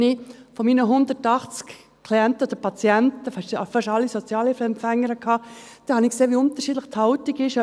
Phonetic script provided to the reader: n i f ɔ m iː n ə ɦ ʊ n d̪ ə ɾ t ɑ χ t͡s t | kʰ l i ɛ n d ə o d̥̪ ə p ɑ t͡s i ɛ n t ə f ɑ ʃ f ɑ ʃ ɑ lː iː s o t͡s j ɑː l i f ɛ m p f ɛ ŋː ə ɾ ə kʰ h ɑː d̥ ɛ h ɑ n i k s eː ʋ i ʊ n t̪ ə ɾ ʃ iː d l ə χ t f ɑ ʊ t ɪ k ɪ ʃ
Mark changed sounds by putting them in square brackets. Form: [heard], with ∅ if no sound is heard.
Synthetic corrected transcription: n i f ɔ m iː n ə ɦ ʊ n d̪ ə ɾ t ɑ χ t͡s [k] | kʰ l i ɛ n [t] ə o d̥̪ ə p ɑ t͡s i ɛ n t ə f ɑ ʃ f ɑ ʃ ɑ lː [i] s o t͡s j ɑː l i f ɛ m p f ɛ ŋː ə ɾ ə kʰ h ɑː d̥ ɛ h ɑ n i k s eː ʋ i ʊ n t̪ ə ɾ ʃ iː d l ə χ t [h] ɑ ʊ t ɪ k ɪ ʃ